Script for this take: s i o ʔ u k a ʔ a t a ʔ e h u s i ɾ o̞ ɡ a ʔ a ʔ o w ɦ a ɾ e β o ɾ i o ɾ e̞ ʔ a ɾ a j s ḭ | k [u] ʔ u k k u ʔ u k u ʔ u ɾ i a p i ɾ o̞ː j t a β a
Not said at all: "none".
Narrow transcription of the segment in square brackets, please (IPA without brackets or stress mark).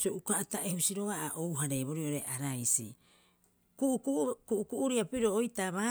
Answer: u